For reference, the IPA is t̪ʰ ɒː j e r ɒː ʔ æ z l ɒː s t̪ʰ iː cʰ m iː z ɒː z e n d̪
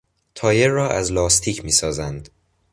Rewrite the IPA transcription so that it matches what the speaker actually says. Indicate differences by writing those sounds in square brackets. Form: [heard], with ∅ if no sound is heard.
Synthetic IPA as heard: t̪ʰ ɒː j e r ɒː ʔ æ z l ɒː s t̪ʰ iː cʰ m iː [s] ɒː z [æ] n d̪